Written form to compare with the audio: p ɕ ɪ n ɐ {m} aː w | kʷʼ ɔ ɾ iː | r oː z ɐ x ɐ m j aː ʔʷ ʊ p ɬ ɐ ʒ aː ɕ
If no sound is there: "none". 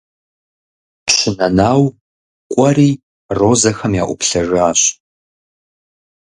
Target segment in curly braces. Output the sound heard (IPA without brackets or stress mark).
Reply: n